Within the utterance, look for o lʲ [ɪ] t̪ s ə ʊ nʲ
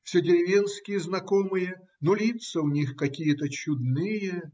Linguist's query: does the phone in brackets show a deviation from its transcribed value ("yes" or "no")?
yes